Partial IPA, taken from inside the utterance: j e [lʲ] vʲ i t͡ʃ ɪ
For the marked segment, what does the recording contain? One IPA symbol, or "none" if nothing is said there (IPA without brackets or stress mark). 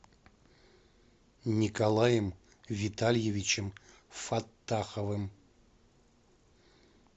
none